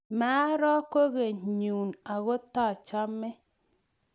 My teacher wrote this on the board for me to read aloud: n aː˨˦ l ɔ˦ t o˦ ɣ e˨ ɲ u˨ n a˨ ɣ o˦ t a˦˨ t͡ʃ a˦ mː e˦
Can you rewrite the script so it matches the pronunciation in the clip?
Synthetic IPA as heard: m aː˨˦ ɾ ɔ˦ k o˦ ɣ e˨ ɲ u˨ n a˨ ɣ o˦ t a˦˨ t͡ʃ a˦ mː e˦